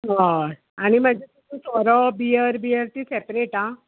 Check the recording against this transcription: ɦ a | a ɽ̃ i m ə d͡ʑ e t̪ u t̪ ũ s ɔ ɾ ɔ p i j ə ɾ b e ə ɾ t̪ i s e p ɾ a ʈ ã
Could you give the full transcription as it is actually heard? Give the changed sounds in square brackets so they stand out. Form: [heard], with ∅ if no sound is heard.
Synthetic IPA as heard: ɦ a | a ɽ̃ i m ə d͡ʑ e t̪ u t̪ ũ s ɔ ɾ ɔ [b] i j ə ɾ b [i] ə ɾ t̪ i s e p ɾ [e] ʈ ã